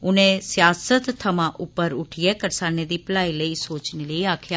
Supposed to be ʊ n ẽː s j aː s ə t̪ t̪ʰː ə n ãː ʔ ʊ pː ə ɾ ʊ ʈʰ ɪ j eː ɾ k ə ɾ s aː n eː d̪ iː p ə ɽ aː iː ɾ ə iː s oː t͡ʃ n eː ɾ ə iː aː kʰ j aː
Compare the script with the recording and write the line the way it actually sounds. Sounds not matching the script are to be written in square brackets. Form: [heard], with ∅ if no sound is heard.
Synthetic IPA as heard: ʊ n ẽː s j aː s ə t̪ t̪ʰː ə [m] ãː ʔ ʊ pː ə ɾ ʊ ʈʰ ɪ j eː [∅] k ə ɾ s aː n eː d̪ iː p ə [l] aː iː [l] ə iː s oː t͡ʃ n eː [l] ə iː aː kʰ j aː

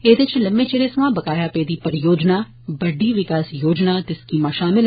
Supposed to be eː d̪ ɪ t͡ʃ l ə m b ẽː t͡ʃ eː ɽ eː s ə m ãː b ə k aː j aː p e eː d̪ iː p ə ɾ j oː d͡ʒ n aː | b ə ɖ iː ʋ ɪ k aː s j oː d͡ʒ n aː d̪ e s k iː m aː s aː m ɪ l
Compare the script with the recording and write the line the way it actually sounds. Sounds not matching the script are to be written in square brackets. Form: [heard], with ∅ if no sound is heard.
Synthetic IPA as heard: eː d̪ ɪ t͡ʃ l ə m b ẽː t͡ʃ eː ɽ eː s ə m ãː b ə k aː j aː p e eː d̪ iː p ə ɾ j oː d͡ʒ n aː | b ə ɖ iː ʋ ɪ k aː s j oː d͡ʒ n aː [t̪] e s k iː m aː [ʃ] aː m ɪ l

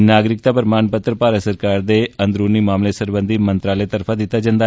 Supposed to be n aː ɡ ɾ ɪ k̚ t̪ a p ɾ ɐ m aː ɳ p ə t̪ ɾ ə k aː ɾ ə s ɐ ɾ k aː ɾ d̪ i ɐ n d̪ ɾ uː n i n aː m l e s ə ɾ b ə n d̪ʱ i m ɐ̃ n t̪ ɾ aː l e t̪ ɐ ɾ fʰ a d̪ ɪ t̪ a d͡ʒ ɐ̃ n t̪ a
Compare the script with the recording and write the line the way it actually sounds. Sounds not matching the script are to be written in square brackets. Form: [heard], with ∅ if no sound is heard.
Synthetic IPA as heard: n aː ɡ ɾ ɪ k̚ t̪ a p ɾ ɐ m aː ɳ p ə t̪ ɾ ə [p] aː ɾ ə s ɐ ɾ k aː ɾ d̪ [e] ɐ n d̪ ɾ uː n i [m] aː m l e s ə ɾ b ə n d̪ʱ i m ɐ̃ n t̪ ɾ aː l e t̪ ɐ ɾ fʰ a d̪ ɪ t̪ a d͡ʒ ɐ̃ n [d̪] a

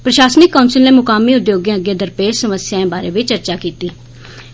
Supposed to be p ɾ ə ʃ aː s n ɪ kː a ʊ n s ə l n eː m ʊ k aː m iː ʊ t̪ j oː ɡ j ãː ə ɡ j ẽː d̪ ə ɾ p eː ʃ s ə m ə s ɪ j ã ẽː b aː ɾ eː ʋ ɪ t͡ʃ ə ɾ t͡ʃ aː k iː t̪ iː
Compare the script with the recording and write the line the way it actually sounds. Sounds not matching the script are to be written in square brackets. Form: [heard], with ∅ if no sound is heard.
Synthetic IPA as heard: p ɾ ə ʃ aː s n ɪ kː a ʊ n s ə l n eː m ʊ k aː m iː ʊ [d̪] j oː ɡ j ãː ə ɡ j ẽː d̪ ə ɾ p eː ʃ s ə m ə s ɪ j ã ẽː b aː ɾ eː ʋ ɪ t͡ʃ ə ɾ t͡ʃ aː k iː t̪ iː

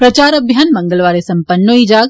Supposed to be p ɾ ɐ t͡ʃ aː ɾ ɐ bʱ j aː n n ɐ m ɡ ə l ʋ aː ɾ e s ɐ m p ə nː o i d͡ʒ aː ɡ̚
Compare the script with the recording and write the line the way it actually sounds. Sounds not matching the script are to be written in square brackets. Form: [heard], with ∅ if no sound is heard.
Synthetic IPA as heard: p ɾ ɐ t͡ʃ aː ɾ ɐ bʱ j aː n [m] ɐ [ŋ] ɡ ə l ʋ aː ɾ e s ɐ m p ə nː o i d͡ʒ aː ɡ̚

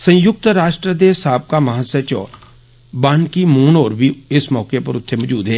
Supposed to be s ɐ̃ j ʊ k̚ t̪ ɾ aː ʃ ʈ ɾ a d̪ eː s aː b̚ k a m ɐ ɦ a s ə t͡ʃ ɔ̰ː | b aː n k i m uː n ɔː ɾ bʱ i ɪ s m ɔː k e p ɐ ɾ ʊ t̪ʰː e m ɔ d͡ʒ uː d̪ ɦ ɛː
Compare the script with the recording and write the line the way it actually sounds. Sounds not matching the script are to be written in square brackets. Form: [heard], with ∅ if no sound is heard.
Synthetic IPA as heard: s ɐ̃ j ʊ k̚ t̪ ɾ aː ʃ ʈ ɾ [ə] d̪ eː s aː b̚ k a m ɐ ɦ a s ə t͡ʃ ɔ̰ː | b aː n k i m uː n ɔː ɾ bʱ i ɪ s m ɔː k e p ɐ ɾ ʊ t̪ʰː e m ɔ d͡ʒ uː d̪ ɦ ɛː

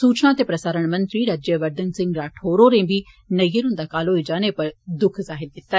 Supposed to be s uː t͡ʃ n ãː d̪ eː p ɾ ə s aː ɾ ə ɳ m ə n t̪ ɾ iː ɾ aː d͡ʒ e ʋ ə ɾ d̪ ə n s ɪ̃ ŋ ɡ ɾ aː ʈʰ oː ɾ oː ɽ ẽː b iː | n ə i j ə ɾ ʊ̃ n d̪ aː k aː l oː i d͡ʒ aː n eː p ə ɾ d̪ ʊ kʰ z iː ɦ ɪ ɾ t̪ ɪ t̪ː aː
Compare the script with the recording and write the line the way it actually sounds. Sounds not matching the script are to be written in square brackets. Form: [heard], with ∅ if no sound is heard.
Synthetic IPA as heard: s uː t͡ʃ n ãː [t̪] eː p ɾ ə s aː ɾ ə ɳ m ə n t̪ ɾ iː ɾ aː d͡ʒ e ʋ ə ɾ d̪ ə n s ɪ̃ ŋ ɡ ɾ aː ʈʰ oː ɾ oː [ɾ] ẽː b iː | n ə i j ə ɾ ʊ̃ n d̪ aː k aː l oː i d͡ʒ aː n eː p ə ɾ d̪ ʊ kʰ z [aː] ɦ ɪ ɾ [d̪] ɪ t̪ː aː

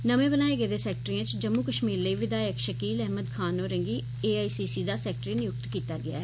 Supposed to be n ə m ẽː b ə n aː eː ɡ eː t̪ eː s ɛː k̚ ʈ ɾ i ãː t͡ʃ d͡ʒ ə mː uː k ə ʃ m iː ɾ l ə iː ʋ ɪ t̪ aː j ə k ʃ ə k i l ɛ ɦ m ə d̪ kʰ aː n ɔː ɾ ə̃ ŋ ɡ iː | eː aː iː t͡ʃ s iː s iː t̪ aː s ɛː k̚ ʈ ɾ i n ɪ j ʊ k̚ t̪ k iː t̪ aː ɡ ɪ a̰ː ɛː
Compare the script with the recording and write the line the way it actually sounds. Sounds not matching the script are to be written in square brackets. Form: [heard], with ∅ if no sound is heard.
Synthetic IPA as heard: n ə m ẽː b ə n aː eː ɡ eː [d̪] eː s ɛː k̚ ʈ ɾ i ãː t͡ʃ d͡ʒ ə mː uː k ə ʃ m iː ɾ l ə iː ʋ ɪ [d̪] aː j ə k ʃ ə k [iː] l ɛ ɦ m ə d̪ kʰ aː n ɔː ɾ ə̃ ŋ ɡ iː | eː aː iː [∅] s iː s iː [d̪] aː s ɛː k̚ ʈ ɾ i n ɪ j ʊ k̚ t̪ k iː t̪ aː ɡ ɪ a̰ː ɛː

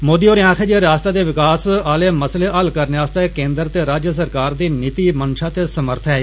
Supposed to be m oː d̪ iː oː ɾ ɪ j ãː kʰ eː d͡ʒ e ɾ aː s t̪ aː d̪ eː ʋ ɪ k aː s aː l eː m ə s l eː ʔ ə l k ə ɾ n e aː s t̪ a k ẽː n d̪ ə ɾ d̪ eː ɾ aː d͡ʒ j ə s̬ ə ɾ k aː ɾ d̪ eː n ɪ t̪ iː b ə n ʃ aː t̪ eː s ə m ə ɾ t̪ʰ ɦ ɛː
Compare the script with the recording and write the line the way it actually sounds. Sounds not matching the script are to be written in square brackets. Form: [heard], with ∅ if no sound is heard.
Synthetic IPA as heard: m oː d̪ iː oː ɾ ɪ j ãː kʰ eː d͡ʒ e ɾ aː s t̪ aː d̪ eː ʋ ɪ k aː s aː l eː m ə s l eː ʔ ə l k ə ɾ n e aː s t̪ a k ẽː n d̪ ə ɾ [t̪] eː ɾ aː d͡ʒ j ə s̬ ə ɾ k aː ɾ d̪ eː n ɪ t̪ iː [m] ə n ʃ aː t̪ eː s ə m ə ɾ t̪ʰ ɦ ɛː

